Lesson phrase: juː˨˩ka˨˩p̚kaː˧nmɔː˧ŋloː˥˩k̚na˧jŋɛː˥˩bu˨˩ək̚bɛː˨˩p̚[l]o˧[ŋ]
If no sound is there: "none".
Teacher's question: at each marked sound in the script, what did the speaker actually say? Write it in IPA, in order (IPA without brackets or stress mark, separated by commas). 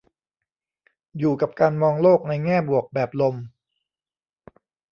l, m